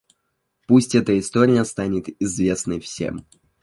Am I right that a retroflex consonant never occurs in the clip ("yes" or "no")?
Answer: yes